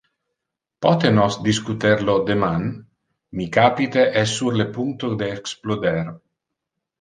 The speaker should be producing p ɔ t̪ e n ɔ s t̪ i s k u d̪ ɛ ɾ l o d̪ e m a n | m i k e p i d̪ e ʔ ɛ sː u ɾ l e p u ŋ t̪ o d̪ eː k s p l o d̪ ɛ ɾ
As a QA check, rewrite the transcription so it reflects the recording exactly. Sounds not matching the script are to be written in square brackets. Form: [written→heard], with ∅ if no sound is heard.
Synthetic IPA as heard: p ɔ t̪ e n ɔ s [t̪→d̪] i s k u [d̪→t̪] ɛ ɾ l o d̪ e m a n | m i k [e→a] p i [d̪→t̪] e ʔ ɛ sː u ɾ l e p u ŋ t̪ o d̪ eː k s p l o d̪ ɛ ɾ